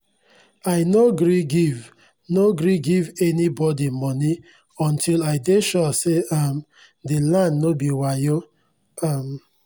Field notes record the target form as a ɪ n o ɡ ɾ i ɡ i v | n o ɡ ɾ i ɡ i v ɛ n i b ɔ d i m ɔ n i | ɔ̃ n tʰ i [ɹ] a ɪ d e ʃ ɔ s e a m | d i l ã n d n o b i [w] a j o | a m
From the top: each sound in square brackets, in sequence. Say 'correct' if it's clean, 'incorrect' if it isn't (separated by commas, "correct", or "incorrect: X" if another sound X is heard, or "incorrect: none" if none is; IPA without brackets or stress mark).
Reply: incorrect: l, correct